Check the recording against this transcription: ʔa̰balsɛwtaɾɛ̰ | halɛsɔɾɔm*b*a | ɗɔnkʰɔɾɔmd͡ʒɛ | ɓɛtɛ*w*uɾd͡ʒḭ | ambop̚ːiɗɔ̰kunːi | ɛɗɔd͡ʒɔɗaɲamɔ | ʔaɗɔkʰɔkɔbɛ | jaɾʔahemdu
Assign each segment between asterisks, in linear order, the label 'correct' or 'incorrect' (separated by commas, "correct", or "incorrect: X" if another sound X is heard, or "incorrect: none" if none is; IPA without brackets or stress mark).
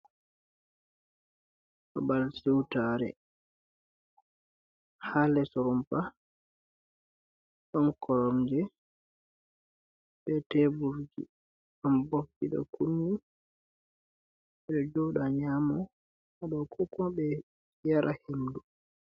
incorrect: p, incorrect: b